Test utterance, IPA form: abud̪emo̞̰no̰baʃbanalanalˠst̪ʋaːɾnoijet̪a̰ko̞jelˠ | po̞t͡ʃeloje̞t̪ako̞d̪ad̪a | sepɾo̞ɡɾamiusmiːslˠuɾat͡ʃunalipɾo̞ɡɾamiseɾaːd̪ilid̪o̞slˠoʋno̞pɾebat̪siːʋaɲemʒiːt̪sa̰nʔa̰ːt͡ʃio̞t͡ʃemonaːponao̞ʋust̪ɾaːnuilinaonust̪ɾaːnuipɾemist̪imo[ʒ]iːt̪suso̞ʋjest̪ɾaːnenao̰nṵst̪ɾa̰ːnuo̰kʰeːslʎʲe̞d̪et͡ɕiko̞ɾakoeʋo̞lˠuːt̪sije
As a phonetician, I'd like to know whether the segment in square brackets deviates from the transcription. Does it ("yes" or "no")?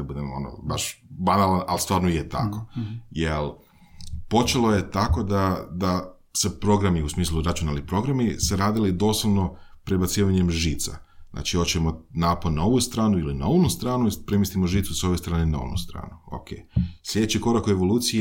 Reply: no